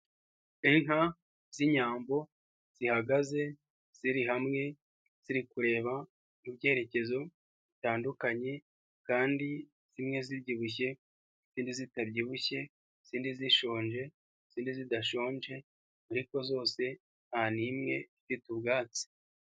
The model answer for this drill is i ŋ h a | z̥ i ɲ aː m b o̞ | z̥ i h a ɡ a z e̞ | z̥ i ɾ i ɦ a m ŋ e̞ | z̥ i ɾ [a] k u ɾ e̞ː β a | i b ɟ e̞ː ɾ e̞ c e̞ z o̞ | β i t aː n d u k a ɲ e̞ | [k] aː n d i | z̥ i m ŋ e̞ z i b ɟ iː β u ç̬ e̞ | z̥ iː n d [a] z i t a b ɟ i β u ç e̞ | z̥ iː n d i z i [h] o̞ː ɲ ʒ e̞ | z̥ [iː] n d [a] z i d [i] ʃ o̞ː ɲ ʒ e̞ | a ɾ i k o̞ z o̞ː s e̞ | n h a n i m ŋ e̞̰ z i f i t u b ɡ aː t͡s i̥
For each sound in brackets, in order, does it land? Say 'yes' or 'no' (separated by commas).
no, yes, no, no, yes, no, no